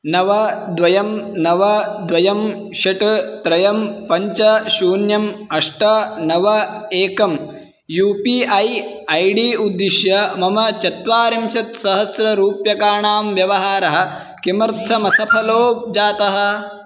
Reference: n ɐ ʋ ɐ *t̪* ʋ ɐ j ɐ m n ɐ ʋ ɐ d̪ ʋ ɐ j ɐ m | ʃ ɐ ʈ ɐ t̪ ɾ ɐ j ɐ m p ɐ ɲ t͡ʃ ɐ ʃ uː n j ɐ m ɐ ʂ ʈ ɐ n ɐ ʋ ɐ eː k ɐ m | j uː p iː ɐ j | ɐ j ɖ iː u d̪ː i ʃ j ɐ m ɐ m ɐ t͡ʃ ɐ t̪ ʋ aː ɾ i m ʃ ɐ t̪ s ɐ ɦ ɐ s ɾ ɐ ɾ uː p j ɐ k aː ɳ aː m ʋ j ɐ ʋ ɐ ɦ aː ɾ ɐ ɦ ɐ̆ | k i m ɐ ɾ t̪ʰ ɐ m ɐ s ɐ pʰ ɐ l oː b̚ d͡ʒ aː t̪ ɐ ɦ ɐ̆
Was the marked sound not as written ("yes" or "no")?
yes